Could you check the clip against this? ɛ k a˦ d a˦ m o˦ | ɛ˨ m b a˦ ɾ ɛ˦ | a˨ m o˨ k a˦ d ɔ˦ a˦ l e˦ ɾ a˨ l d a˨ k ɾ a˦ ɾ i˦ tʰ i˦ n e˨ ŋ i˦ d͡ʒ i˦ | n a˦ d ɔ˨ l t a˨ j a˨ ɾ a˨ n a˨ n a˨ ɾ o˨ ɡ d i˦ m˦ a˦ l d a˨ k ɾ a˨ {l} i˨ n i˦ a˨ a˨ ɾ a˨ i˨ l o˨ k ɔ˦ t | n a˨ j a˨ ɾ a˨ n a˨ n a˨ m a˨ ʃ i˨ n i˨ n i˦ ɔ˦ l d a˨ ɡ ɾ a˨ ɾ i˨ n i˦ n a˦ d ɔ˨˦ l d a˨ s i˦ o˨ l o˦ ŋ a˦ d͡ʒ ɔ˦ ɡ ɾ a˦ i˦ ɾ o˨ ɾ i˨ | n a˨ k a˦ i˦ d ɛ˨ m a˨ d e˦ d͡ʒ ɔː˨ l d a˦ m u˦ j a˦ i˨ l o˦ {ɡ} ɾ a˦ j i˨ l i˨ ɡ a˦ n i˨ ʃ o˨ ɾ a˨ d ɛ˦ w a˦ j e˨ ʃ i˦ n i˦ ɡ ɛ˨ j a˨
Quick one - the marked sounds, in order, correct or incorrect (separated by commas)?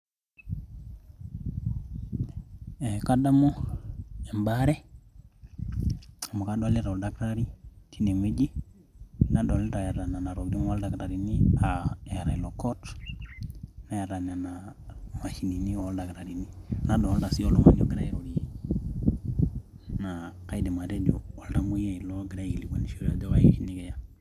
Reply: incorrect, correct